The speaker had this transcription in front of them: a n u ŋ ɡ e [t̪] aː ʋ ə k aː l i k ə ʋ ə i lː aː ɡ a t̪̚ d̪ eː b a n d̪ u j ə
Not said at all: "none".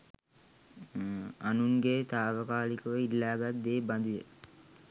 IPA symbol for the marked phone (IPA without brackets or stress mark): t̪